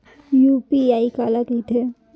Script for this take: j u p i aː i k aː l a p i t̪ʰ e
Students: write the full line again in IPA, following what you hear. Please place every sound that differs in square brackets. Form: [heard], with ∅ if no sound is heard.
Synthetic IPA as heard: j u p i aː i k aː l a [k] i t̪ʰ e